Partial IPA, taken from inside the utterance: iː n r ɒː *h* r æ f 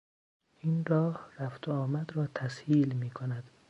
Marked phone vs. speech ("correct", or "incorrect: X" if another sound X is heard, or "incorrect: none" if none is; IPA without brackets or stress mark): correct